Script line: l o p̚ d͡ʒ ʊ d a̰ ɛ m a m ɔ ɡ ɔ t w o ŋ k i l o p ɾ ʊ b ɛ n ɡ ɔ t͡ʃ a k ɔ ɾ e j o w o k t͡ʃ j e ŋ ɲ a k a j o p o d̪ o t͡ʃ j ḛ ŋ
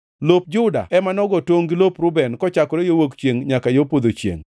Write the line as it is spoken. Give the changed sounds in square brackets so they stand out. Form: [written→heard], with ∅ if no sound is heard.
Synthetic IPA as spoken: l o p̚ d͡ʒ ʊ d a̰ ɛ m a [m→n] ɔ ɡ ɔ t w o ŋ [k→ɡ] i l o p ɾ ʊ b ɛ n [ɡ→k] ɔ t͡ʃ a k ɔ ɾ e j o w o k t͡ʃ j e ŋ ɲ a k a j o p o d̪ o t͡ʃ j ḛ ŋ